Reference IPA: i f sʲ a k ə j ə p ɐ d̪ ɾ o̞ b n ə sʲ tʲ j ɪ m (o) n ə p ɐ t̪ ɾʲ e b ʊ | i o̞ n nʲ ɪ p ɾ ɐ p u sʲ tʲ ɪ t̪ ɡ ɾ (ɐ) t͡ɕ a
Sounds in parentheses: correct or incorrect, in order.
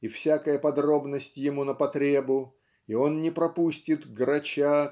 incorrect: u, correct

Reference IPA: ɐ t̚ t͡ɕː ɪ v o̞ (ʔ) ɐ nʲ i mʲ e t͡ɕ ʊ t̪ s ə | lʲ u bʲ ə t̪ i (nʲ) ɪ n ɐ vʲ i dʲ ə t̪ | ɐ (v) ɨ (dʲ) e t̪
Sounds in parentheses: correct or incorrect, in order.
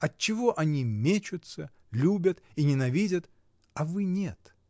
correct, correct, correct, incorrect: nʲ

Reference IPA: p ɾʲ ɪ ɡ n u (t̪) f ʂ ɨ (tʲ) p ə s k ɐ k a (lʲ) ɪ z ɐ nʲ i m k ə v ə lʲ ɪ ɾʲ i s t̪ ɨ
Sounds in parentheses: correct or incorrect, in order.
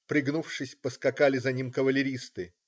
incorrect: none, incorrect: sʲ, correct

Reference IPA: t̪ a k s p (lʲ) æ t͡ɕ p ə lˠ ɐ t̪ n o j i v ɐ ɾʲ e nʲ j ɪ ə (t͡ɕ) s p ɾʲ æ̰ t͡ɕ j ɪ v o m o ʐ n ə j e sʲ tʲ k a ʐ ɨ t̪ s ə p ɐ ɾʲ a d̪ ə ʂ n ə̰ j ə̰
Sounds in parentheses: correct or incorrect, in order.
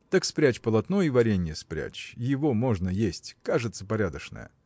incorrect: ɾʲ, incorrect: none

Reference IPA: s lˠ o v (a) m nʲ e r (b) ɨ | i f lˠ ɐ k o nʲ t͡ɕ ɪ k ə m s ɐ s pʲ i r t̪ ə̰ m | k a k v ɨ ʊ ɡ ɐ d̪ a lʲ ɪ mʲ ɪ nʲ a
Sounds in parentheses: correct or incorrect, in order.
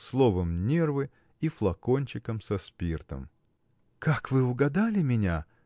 incorrect: ə, incorrect: v

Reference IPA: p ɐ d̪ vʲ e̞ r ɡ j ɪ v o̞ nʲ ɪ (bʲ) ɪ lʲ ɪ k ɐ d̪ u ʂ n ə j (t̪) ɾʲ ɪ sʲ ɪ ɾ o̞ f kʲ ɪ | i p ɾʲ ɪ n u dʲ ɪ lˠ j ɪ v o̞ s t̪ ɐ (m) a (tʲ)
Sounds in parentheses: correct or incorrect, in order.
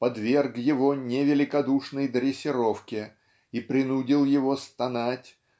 incorrect: vʲ, incorrect: d̪, incorrect: n, correct

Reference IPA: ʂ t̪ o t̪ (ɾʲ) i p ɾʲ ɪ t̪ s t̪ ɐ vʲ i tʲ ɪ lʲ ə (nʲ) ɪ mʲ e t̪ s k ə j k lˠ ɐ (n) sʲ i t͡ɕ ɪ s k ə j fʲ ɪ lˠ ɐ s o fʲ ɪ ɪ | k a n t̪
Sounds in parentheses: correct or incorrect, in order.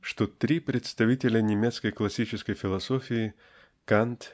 correct, correct, incorrect: none

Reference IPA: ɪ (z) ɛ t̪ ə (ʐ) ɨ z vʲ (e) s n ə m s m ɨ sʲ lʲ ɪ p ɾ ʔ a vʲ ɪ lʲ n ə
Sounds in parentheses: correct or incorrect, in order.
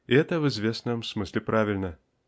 incorrect: none, incorrect: v, correct

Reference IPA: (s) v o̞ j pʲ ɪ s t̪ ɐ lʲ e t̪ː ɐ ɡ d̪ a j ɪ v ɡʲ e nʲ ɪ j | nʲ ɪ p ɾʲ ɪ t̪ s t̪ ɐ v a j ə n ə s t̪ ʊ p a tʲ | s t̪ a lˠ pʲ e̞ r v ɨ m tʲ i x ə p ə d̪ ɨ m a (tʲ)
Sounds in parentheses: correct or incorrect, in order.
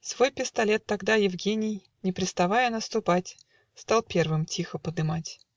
correct, correct

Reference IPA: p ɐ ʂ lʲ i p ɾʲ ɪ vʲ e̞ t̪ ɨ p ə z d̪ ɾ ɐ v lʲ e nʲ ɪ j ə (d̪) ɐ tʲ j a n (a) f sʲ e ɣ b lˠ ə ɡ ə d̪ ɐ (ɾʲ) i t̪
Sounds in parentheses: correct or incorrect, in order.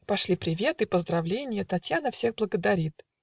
incorrect: t̪, incorrect: ə, correct

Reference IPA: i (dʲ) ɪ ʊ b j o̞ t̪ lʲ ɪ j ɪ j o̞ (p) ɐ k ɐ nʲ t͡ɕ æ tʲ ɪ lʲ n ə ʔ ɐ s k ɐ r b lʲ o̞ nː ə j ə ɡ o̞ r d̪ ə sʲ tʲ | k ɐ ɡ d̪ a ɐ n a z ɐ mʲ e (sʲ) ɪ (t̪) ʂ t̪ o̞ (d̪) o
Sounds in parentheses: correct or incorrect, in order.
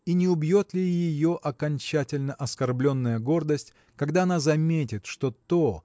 incorrect: nʲ, incorrect: ʔ, incorrect: tʲ, correct, incorrect: t̪

